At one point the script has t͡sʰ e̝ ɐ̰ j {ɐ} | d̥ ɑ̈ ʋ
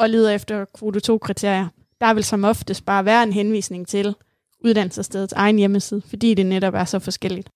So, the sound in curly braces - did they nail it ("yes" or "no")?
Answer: yes